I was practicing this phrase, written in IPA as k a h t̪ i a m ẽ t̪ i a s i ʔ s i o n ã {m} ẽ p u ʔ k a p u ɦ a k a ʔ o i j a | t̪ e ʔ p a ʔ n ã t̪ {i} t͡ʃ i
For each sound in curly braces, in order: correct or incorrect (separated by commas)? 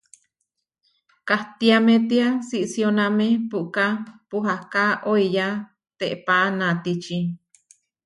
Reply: correct, correct